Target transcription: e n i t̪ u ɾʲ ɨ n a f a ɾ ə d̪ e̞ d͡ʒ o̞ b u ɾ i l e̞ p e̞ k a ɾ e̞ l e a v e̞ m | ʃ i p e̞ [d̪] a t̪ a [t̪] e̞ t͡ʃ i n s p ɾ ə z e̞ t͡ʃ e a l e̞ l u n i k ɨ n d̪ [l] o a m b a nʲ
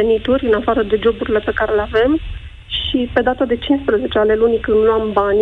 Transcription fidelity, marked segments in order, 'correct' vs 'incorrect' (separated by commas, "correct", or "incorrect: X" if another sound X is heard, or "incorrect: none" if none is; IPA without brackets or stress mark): correct, incorrect: d̪, correct